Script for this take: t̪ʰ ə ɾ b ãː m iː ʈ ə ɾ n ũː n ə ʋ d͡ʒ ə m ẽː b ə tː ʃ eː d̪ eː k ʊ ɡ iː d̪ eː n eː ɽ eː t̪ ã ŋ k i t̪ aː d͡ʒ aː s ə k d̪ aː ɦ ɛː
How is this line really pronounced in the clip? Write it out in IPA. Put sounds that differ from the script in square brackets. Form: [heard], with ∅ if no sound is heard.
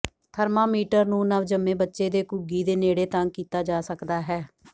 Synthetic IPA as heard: t̪ʰ ə ɾ [m] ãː m iː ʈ ə ɾ n ũː n ə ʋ d͡ʒ ə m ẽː b ə tː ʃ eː d̪ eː k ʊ ɡ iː d̪ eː n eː ɽ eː t̪ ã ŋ k [iː] t̪ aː d͡ʒ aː s ə k d̪ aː ɦ ɛː